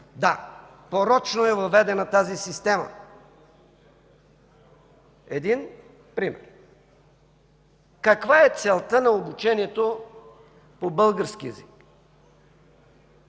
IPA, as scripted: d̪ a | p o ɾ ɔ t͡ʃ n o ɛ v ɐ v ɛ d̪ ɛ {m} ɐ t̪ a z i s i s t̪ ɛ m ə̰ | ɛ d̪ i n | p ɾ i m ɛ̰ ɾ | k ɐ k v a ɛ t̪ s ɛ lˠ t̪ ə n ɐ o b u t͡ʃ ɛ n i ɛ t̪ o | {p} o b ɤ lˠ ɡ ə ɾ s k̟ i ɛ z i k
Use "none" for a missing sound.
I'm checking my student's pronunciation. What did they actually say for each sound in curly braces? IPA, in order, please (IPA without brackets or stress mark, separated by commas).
n, p